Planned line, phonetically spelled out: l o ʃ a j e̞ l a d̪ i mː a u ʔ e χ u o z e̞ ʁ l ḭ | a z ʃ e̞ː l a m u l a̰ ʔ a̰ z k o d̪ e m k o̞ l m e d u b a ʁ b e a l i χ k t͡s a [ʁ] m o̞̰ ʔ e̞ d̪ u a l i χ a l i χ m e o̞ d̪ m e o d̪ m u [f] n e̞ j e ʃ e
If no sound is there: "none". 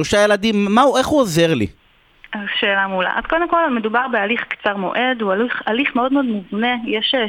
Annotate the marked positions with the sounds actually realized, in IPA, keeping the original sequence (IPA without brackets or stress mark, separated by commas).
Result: ʁ, v